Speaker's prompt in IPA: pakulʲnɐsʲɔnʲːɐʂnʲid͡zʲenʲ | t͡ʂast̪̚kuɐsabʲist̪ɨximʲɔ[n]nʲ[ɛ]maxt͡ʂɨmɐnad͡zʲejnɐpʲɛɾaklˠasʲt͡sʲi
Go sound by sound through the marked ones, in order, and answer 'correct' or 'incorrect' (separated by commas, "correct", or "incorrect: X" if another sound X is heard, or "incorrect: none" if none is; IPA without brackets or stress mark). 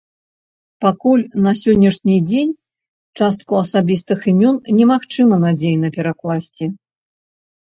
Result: correct, correct